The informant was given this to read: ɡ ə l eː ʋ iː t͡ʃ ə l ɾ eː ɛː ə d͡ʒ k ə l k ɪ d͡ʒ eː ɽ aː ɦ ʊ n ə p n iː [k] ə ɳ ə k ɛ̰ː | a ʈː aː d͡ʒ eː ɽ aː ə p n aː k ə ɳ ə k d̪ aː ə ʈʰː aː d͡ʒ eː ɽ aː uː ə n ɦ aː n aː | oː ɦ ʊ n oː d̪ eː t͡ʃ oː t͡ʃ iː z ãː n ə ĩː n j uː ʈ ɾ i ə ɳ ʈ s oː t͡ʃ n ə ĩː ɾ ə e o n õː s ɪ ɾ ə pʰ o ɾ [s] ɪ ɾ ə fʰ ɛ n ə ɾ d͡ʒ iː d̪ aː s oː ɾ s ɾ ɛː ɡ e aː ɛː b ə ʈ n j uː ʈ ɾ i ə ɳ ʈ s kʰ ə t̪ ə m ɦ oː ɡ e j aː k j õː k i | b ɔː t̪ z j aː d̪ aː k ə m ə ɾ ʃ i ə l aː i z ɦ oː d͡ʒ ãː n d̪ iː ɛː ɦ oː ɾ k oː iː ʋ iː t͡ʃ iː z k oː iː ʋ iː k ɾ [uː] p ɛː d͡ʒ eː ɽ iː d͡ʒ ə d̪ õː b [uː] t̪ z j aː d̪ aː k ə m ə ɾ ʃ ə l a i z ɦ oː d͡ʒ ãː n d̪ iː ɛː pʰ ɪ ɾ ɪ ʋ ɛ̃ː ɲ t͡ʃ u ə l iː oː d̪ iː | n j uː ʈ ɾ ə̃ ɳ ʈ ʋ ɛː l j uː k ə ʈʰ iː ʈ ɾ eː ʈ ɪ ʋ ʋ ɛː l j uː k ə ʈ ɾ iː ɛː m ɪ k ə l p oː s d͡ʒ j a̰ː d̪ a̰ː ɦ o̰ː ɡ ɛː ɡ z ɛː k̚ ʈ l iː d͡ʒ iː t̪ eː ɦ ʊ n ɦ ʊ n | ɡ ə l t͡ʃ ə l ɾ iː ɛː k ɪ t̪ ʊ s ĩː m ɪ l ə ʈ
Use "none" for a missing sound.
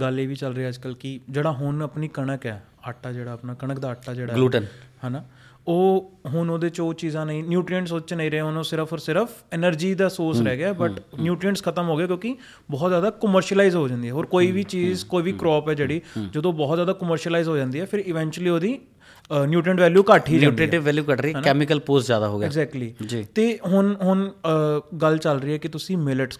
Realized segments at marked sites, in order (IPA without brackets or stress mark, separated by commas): k, s, ɔː, ɔː